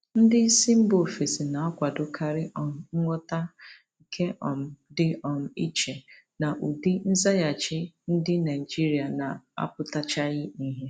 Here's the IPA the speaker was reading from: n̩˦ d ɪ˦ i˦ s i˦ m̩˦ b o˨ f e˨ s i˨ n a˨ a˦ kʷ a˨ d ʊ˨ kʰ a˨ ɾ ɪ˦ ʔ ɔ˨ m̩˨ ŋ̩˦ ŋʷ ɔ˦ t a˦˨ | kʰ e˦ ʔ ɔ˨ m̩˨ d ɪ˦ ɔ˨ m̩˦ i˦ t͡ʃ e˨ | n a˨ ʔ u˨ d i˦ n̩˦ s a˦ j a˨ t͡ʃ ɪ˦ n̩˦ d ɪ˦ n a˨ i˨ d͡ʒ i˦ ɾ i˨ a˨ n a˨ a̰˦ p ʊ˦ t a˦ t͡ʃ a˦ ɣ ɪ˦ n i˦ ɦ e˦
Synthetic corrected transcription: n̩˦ d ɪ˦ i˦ s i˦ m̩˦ b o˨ f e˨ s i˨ n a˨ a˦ kʷ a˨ d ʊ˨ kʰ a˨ ɾ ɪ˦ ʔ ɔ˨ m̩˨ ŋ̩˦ ŋʷ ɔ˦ t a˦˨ | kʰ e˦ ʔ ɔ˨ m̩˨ d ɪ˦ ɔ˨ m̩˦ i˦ t͡ʃ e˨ | n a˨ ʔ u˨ d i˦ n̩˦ z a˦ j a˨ t͡ʃ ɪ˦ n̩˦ d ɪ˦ n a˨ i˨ d͡ʒ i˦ ɾ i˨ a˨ n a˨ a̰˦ p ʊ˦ t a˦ t͡ʃ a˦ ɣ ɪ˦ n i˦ ɦ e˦